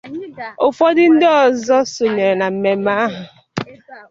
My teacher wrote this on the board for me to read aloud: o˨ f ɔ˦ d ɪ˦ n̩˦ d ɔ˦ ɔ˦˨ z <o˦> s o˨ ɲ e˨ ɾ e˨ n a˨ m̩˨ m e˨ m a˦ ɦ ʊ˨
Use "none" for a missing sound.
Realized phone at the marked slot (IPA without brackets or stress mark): ɔ˦